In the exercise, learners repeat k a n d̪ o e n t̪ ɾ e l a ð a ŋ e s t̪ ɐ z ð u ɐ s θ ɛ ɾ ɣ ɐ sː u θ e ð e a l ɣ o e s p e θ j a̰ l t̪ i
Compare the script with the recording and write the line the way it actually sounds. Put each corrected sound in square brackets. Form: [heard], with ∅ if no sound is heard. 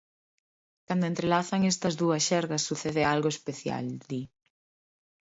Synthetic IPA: k a n d̪ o e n t̪ ɾ e l a [θ] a ŋ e s t̪ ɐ z ð u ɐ s [ʃ] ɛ ɾ ɣ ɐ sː u θ e ð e a l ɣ o e s p e θ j a̰ l [d̪] i

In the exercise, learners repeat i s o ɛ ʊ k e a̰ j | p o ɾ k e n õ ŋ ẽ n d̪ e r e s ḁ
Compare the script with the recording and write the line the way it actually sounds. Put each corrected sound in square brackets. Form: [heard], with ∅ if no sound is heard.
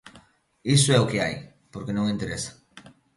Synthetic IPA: i s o ɛ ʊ k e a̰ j | p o ɾ k e n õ ŋ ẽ n [t̪] e [ɾ] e s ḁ

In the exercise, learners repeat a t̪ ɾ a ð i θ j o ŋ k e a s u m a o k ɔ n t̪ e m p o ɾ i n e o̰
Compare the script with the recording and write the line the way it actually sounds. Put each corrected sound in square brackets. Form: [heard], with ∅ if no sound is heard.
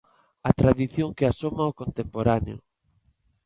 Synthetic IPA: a t̪ ɾ a ð i θ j o ŋ k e a s [o] m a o k [o] n t̪ e m p o ɾ [a] n e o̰

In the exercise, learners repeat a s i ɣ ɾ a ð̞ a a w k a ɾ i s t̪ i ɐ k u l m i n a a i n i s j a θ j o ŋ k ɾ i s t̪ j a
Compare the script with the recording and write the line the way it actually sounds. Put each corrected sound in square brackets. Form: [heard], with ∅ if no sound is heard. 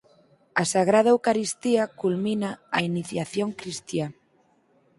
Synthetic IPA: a s [a] ɣ ɾ a ð̞ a [e] w k a ɾ i s t̪ i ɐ k u l m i n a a i n i [θ] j a θ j o ŋ k ɾ i s t̪ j a

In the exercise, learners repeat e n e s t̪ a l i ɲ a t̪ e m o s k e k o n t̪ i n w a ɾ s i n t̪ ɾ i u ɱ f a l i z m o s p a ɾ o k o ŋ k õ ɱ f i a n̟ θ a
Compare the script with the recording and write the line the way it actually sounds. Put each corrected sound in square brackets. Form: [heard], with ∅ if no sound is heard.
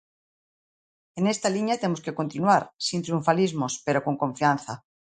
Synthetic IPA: e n e s t̪ a l i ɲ a t̪ e m o s k e k o n t̪ i n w a ɾ s i n t̪ ɾ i u ɱ f a l i z m o s p [e] ɾ o k o ŋ k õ ɱ f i a n̟ θ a

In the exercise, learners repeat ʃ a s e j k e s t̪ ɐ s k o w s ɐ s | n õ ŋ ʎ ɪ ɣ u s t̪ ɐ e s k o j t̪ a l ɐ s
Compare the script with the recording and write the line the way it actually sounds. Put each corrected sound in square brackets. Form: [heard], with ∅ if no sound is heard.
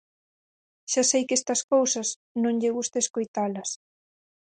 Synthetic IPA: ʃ a s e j k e s t̪ ɐ s k o w s ɐ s | n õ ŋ ʎ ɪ ɣ u s t̪ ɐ e s k o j t̪ a l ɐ s

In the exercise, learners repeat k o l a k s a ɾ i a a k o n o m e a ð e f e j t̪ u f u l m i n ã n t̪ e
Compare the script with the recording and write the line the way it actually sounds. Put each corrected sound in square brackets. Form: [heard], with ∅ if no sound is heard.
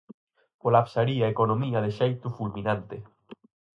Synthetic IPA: k o l a [p] s a ɾ i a [e] k o n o m [i] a ð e [ʃ] e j t̪ u f u l m i n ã n t̪ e

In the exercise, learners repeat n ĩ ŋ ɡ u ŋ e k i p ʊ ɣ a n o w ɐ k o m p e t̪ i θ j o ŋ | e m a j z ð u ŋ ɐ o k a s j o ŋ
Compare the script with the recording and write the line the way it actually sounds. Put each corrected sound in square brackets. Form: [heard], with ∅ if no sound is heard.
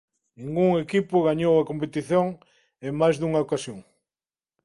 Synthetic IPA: n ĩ ŋ ɡ u ŋ e k i p ʊ ɣ a [ɲ] o w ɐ k o m p e t̪ i θ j o ŋ | e m a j z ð u ŋ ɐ o k a s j o ŋ

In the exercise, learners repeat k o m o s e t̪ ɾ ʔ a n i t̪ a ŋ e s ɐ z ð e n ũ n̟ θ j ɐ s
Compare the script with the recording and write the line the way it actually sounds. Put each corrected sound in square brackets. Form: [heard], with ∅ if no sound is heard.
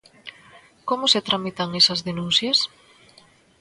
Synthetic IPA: k o m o s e t̪ ɾ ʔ a [m] i t̪ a ŋ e s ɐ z ð e n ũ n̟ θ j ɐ s

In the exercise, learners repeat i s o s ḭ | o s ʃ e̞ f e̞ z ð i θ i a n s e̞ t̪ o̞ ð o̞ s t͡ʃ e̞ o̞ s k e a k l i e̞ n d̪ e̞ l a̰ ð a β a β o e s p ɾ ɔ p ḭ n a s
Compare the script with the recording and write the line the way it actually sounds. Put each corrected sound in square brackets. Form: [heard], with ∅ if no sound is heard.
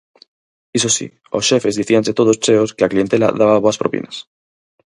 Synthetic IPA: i s o s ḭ | o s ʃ e̞ f e̞ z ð i θ i a n s e̞ t̪ o̞ ð o̞ s t͡ʃ e̞ o̞ s k e a k l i e̞ n [t̪] e̞ l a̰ ð a β a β o [a] s p ɾ [o] p ḭ n a s

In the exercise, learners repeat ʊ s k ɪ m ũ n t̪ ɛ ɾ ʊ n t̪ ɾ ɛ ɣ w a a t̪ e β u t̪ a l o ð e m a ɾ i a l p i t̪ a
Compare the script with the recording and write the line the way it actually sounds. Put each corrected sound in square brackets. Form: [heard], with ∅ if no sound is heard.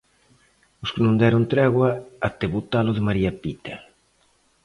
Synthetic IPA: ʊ s k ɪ [n] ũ n [d̪] ɛ ɾ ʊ n t̪ ɾ ɛ ɣ w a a t̪ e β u t̪ a l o ð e m a ɾ i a [∅] p i t̪ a

